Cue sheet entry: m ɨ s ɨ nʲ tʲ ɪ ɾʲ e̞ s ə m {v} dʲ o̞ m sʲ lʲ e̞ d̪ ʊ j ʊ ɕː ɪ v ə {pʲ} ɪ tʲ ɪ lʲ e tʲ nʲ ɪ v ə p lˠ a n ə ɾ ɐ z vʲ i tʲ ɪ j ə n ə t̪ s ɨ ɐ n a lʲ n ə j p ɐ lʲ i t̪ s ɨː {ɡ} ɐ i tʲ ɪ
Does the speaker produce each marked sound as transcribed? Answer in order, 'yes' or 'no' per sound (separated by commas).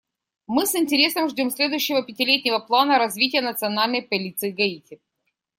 no, yes, yes